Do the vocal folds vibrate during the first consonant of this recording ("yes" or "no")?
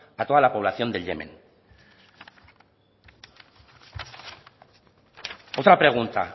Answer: no